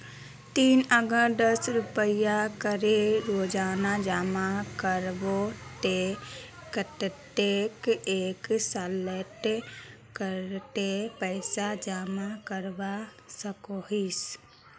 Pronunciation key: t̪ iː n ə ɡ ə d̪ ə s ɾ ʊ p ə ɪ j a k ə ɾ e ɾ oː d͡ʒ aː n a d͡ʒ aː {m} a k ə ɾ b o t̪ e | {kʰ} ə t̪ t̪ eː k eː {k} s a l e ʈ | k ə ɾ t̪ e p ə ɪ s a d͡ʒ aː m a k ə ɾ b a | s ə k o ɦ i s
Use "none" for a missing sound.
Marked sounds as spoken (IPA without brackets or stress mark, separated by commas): m, k, k